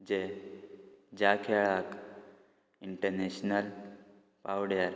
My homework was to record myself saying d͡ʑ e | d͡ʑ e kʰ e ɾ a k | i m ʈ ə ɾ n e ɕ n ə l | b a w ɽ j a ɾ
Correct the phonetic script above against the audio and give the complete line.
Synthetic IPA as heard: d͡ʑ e | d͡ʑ a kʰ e ɭ a k | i ɳ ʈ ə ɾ n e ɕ n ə l | p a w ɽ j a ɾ